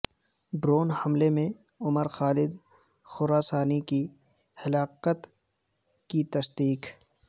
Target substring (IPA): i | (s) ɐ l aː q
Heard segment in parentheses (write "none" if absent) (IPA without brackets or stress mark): h